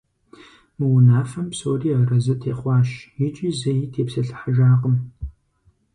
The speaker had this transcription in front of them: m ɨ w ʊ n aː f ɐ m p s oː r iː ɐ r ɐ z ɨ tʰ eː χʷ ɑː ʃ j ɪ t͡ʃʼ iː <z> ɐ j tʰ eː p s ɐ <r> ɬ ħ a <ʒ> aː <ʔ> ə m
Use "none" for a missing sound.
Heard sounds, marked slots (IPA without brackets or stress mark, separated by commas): z, none, ʒ, q